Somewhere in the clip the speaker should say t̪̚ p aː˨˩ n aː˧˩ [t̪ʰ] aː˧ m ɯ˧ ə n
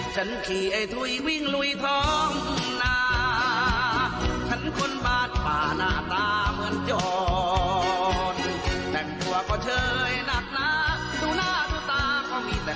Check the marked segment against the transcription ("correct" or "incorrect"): incorrect